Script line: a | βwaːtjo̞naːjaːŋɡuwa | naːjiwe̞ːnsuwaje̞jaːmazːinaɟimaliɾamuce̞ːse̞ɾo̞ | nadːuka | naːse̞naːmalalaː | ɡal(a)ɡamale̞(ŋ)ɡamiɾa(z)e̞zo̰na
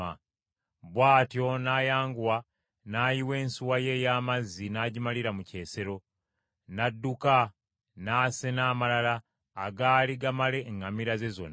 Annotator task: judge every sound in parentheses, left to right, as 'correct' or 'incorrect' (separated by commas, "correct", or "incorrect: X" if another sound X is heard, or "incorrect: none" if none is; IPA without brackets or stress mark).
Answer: incorrect: i, correct, correct